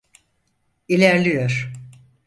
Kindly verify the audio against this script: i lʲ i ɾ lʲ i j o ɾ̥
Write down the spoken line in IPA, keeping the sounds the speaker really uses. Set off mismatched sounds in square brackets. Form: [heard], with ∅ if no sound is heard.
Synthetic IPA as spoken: i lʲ [æ] ɾ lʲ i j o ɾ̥